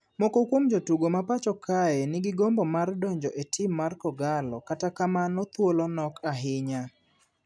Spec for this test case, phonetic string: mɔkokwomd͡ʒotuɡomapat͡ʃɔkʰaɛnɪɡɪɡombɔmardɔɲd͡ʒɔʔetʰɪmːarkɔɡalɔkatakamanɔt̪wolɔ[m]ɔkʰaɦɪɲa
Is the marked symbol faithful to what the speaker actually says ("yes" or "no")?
no